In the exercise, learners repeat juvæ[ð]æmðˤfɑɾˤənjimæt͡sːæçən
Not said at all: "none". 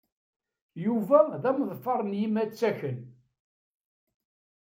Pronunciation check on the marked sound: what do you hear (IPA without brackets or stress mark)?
ð